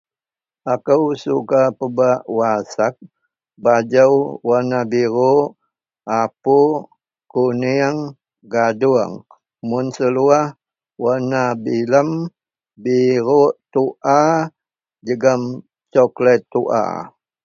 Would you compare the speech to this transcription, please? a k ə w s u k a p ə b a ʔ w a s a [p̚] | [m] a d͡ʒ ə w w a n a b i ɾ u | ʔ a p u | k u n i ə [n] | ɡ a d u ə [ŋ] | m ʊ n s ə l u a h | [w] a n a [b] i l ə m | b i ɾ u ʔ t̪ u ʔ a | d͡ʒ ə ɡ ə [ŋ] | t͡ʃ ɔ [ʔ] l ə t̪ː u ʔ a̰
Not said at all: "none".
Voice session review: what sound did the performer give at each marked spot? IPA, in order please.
k̚, b, ŋ, ŋ, w, b, m, k

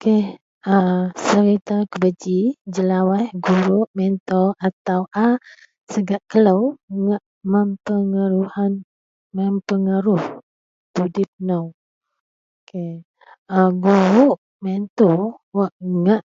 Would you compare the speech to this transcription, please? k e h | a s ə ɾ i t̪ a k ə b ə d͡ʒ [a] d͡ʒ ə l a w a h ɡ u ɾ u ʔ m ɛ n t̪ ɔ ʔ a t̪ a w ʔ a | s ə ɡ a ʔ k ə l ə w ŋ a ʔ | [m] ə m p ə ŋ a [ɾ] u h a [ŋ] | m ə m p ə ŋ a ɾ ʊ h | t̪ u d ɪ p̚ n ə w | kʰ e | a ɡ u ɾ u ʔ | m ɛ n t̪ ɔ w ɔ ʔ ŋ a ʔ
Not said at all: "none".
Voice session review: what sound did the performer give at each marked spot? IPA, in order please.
i, m, ɾ, n

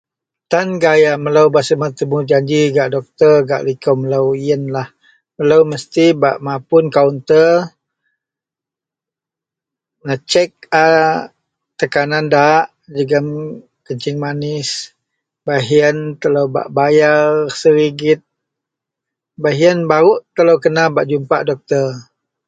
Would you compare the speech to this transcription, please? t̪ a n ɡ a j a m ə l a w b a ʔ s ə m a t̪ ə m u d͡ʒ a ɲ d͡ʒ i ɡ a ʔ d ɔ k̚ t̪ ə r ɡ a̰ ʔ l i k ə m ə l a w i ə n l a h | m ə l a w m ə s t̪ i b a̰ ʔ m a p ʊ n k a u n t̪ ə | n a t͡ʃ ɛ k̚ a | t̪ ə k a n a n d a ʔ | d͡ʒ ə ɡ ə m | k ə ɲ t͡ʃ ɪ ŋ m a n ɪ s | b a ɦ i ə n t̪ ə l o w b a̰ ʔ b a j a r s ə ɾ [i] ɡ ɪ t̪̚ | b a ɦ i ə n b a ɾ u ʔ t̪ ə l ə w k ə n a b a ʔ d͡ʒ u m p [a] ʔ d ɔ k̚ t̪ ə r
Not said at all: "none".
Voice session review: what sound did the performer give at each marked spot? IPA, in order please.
i, a

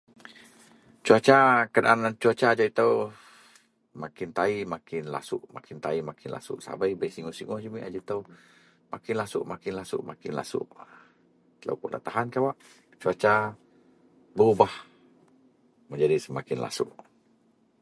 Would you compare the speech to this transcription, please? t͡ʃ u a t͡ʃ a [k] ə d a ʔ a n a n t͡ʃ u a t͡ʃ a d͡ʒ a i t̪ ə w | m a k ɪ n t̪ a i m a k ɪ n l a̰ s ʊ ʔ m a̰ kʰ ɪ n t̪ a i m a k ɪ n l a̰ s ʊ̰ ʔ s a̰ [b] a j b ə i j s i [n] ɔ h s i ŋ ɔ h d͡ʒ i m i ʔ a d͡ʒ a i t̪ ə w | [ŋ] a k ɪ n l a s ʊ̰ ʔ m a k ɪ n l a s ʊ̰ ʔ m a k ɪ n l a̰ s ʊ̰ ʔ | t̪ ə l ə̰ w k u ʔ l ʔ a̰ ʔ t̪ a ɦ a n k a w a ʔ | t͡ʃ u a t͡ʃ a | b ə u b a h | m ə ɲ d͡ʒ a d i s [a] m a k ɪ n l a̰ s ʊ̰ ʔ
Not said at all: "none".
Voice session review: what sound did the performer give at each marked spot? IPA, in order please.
k, b, ŋ, m, ə

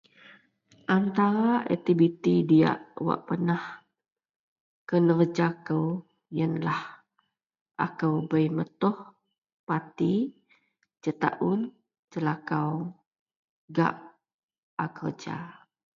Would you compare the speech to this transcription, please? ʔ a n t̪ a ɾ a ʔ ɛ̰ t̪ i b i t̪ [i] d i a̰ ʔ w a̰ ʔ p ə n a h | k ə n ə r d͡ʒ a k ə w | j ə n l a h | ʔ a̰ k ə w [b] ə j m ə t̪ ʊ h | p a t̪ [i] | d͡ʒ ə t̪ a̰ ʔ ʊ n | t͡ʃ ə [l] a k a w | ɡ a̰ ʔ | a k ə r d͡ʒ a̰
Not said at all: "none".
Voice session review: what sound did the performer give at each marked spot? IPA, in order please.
i, b, i, l

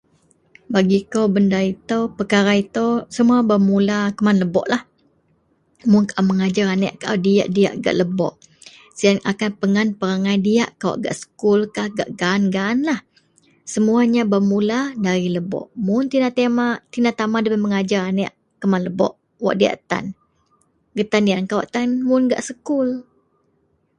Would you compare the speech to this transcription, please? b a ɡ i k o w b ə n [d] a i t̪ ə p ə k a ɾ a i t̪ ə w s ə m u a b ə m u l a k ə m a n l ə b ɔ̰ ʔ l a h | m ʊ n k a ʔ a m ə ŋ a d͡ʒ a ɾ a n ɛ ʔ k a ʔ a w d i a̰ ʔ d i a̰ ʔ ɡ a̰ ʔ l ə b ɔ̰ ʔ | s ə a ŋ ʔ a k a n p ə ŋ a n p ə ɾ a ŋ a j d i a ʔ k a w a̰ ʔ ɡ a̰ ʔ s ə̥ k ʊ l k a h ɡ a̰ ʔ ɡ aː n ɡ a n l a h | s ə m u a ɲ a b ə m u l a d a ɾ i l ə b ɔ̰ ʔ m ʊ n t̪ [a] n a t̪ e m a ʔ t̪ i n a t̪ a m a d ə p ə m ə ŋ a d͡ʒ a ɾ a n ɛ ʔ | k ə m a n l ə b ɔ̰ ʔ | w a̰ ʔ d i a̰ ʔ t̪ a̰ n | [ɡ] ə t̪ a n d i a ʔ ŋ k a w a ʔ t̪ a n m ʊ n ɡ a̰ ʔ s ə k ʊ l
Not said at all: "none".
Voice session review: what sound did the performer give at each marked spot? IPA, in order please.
d, i, ɡ

